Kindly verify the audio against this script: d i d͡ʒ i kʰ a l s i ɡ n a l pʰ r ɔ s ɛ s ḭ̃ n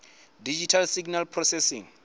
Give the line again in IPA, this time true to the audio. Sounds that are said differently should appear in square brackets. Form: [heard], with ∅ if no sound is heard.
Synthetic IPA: d i d͡ʒ i [tʰ] a l s i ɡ n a l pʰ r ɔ s ɛ s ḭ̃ [ŋ]